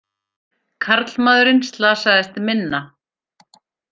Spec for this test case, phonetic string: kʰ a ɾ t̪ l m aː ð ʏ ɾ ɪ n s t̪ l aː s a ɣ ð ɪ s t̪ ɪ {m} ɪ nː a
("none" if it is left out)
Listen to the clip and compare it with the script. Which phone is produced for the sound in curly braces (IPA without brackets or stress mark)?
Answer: m